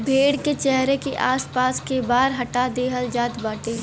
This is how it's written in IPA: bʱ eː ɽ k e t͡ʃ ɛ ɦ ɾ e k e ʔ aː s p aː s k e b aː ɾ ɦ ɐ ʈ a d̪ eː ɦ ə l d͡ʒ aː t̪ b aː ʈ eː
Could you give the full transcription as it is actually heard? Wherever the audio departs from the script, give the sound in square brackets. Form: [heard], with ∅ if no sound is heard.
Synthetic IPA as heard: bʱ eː ɽ k e t͡ʃ ɛ ɦ ɾ e k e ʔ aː s p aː s k e b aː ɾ ɦ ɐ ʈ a d̪ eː ɦ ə l d͡ʒ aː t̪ b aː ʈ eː